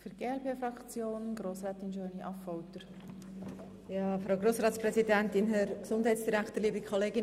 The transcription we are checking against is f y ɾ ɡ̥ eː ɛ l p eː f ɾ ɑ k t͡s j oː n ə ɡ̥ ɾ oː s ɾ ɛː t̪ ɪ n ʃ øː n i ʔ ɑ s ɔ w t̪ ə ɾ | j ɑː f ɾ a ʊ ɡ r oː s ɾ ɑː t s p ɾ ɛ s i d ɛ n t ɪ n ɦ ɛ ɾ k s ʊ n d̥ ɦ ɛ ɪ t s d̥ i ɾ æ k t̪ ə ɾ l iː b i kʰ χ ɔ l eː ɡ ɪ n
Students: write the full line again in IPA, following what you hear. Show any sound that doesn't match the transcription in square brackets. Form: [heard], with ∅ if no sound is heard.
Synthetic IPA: f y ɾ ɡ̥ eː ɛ l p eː f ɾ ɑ k t͡s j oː n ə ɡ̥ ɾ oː s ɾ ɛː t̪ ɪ n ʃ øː n i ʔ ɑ [f] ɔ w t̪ ə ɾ | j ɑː f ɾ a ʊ ɡ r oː s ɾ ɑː t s p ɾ ɛ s i d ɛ n t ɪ n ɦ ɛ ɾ k s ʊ n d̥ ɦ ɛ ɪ t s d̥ i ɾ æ k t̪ ə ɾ l iː b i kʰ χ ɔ l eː ɡ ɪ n